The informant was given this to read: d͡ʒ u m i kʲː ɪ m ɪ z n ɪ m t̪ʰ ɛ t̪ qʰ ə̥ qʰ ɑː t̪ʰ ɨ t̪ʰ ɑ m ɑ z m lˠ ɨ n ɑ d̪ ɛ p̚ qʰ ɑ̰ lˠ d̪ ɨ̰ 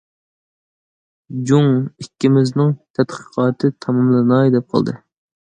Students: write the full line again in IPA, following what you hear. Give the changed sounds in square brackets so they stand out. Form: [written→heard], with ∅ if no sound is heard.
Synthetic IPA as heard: d͡ʒ u [m→ŋ] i kʲː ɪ m ɪ z n ɪ [m→ŋ] t̪ʰ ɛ t̪ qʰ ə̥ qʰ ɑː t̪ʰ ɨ t̪ʰ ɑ m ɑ [z→∅] m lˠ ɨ n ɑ d̪ ɛ p̚ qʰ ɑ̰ lˠ d̪ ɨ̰